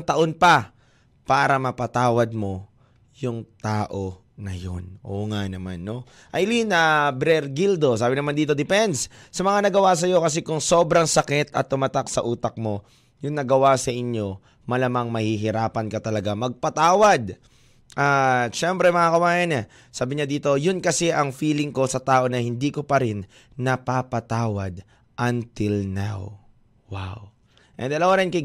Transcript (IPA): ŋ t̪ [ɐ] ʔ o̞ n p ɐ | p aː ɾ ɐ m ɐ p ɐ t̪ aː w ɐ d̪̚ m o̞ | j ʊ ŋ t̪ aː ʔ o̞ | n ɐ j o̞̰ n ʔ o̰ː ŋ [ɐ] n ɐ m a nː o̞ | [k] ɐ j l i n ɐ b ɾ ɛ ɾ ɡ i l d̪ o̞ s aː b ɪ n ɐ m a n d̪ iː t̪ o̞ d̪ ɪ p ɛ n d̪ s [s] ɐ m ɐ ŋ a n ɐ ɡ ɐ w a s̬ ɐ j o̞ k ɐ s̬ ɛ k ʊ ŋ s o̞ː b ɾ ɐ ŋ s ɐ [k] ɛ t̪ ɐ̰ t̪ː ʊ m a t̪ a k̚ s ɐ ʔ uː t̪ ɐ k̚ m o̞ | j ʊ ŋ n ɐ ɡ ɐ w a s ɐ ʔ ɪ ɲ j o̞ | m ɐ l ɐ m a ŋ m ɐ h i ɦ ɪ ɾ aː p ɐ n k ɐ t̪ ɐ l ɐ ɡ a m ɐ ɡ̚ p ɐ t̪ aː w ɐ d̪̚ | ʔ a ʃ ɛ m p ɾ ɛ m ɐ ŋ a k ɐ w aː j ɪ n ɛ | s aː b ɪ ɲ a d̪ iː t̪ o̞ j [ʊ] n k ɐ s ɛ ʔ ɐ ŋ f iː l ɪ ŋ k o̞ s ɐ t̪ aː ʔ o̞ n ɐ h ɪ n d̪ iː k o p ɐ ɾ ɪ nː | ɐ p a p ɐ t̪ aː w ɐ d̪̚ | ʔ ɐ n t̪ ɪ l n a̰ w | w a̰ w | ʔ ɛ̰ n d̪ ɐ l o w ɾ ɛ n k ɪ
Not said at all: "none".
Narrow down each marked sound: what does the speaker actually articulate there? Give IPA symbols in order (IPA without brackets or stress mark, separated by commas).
ɐ, a, ʔ, s, k, ʊ